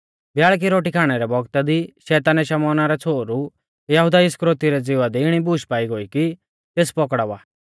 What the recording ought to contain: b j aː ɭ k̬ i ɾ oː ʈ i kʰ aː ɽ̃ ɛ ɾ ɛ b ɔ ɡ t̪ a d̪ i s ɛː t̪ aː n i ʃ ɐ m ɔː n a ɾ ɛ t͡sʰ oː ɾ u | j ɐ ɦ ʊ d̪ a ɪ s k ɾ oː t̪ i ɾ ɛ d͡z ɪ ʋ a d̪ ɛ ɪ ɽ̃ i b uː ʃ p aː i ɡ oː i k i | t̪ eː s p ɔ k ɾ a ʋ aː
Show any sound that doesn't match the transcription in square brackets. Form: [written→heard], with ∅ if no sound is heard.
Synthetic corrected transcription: b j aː ɭ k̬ i ɾ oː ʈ i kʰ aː ɽ̃ ɛ ɾ ɛ b ɔ ɡ t̪ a d̪ i [s→ʃ] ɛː t̪ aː n [i→ɛ] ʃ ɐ m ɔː n a ɾ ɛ t͡sʰ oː ɾ u | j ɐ ɦ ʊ d̪ a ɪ s k ɾ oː t̪ i ɾ ɛ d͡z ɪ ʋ a d̪ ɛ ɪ ɽ̃ i b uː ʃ p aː i ɡ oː i k i | t̪ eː s p ɔ k [ɾ→ɽ] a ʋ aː

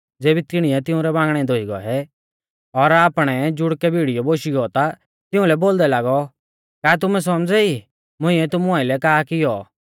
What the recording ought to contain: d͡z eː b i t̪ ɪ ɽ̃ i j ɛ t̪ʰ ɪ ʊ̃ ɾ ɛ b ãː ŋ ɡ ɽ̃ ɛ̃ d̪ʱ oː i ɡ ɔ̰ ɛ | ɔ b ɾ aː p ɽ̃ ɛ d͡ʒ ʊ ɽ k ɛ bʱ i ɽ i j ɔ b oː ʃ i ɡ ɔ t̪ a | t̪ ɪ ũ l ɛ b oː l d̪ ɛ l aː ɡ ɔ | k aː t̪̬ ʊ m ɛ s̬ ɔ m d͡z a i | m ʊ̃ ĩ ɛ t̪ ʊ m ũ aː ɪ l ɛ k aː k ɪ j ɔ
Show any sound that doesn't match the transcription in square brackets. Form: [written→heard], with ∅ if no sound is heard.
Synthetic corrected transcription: d͡z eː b i t̪ ɪ ɽ̃ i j ɛ [t̪ʰ→t̪] ɪ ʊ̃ ɾ ɛ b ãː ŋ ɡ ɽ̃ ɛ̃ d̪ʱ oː i ɡ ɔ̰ ɛ | ɔ [b→∅] ɾ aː p ɽ̃ ɛ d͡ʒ ʊ ɽ k ɛ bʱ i ɽ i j ɔ b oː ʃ i ɡ ɔ t̪ a | t̪ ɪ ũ l ɛ b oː l d̪ ɛ l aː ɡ ɔ | k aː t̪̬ ʊ m ɛ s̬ ɔ m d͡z [a→ɛ] i | m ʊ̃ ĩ ɛ t̪ ʊ m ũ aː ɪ l ɛ k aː k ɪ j ɔ

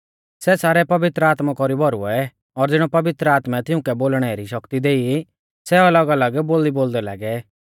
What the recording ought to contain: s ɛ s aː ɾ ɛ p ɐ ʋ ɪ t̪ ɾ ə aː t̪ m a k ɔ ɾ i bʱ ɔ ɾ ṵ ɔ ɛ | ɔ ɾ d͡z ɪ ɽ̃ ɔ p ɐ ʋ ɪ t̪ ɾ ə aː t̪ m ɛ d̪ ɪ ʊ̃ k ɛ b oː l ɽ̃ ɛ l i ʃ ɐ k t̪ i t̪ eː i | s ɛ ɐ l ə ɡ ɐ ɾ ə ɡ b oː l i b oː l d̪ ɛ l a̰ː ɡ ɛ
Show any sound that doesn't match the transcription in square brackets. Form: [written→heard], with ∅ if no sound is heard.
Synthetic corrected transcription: s ɛ s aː ɾ ɛ p ɐ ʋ ɪ t̪ ɾ ə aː t̪ m a k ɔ ɾ i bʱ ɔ ɾ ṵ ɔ ɛ | ɔ ɾ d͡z ɪ ɽ̃ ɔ p ɐ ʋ ɪ t̪ ɾ ə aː t̪ m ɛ [d̪→t̪] ɪ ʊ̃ k ɛ b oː l ɽ̃ ɛ [l→ɾ] i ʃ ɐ k t̪ i [t̪→d̪] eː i | s ɛ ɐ l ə ɡ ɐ [ɾ→l] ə ɡ b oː l i b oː l d̪ ɛ l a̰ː ɡ ɛ

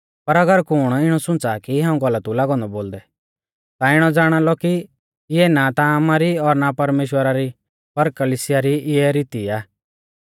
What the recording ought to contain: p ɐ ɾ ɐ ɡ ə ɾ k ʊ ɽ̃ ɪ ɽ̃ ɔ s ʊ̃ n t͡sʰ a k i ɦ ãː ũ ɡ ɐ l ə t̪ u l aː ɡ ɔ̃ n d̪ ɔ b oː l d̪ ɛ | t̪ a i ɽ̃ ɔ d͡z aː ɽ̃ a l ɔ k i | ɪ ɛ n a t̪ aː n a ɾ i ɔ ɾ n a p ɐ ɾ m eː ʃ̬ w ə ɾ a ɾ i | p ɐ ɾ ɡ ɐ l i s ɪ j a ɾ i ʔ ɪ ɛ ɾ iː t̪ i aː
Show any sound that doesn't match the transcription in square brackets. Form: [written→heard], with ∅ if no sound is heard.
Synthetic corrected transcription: p ɐ ɾ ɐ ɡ ə ɾ k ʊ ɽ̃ ɪ ɽ̃ ɔ s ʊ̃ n [t͡sʰ→t͡s] a k i ɦ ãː ũ ɡ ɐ l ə t̪ u l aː ɡ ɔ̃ n d̪ ɔ b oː l d̪ ɛ | t̪ a [i→ɪ] ɽ̃ ɔ d͡z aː ɽ̃ a l ɔ k i | ɪ ɛ n a t̪ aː [n→m] a ɾ i ɔ ɾ n a p ɐ ɾ m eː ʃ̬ w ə ɾ a ɾ i | p ɐ ɾ [ɡ→k] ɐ l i s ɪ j a ɾ i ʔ ɪ ɛ ɾ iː t̪ i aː

